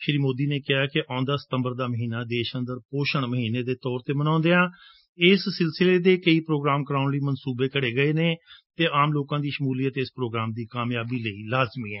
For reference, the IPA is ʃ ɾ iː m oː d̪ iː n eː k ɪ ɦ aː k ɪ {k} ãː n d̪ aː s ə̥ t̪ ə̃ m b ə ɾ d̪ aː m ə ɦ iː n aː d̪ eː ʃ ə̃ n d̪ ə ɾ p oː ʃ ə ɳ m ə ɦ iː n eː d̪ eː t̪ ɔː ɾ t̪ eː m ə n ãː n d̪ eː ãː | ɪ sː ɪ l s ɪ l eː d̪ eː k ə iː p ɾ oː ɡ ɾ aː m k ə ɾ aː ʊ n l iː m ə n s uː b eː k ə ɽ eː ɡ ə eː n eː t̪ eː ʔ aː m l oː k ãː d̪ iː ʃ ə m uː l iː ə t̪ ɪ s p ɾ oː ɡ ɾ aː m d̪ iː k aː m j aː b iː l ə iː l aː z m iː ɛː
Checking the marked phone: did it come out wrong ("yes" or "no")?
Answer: yes